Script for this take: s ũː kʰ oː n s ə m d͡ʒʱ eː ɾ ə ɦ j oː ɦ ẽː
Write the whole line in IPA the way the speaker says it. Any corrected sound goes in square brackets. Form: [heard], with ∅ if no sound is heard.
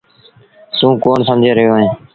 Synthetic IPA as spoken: s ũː [k] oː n s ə m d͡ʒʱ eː ɾ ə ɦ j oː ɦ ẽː